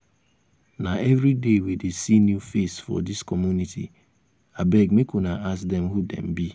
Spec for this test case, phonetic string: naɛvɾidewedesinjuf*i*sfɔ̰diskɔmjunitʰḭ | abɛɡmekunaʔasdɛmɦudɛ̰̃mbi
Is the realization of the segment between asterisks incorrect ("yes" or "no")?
yes